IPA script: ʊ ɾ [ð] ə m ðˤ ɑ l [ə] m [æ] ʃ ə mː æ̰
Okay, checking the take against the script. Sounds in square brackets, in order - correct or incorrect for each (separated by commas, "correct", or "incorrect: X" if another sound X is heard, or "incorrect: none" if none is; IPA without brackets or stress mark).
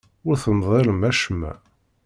incorrect: θ, correct, correct